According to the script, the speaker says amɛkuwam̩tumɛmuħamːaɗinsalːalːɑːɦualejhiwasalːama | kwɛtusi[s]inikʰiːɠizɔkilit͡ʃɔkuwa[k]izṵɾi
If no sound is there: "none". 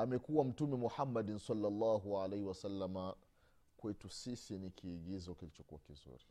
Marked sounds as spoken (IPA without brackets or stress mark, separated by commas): s, k